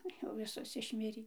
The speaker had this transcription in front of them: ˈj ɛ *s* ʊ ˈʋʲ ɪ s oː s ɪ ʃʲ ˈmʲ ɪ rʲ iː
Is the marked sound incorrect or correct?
incorrect